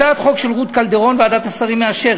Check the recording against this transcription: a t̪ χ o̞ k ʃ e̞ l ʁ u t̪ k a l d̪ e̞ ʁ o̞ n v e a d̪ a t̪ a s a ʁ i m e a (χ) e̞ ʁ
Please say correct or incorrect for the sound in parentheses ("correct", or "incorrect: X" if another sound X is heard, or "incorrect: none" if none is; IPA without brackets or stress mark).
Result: incorrect: ʃ